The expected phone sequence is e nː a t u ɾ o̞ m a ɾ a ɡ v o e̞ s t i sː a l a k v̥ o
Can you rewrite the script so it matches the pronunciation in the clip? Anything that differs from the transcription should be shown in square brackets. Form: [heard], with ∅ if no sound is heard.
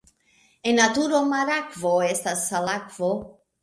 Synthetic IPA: e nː a t u ɾ o̞ m a ɾ a [k] v o e̞ s t [a] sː a l a k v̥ o